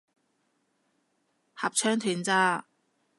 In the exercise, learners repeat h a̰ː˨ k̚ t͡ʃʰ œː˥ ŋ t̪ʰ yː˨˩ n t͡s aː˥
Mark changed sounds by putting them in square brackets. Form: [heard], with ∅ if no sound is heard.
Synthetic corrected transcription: h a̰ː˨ [p̚] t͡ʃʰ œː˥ ŋ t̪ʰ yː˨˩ n t͡s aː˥